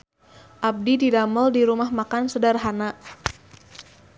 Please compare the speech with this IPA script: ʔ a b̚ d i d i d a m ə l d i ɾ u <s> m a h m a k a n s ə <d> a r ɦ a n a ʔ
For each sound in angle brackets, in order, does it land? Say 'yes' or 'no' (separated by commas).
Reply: no, yes